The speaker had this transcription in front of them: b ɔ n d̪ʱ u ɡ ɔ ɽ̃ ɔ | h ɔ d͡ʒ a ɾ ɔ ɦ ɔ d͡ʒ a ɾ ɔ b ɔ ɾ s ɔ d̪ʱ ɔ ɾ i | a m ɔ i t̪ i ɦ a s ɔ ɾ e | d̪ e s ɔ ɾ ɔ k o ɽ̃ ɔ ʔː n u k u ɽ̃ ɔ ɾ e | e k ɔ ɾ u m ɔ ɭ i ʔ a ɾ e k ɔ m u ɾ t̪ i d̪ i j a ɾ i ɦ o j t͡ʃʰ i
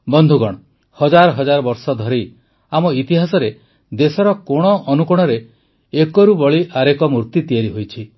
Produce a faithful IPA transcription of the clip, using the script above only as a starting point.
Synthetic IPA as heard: b ɔ n d̪ʱ u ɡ ɔ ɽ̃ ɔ | h ɔ d͡ʒ a ɾ ɔ ɦ ɔ d͡ʒ a ɾ ɔ b ɔ ɾ s ɔ d̪ʱ ɔ ɾ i | a m ɔ i t̪ i ɦ a s ɔ ɾ e | d̪ e s ɔ ɾ ɔ k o ɽ̃ ɔ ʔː n u k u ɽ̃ ɔ ɾ e | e k ɔ ɾ u b ɔ ɭ i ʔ a ɾ e k ɔ m u ɾ t̪ i t̪ i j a ɾ i ɦ o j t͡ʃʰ i